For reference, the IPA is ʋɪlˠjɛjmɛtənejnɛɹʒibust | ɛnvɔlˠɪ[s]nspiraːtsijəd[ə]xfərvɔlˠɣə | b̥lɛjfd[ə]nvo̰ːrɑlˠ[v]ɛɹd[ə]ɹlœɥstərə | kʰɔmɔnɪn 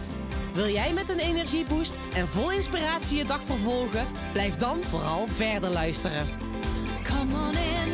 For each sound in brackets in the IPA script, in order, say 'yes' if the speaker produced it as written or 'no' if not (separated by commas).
no, no, no, yes, yes